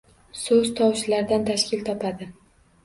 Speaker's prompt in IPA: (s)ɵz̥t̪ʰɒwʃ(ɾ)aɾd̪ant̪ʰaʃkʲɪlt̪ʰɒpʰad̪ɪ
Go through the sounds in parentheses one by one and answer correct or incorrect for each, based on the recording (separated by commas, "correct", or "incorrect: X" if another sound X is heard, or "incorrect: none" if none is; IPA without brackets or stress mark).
correct, incorrect: l